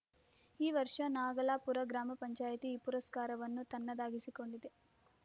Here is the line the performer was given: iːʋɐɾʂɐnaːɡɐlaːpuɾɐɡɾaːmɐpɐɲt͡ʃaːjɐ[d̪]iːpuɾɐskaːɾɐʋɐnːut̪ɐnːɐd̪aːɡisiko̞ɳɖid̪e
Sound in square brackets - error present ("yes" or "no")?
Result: yes